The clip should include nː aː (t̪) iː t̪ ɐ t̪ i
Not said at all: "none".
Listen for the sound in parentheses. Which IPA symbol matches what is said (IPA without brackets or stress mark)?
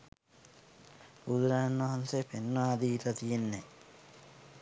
d̪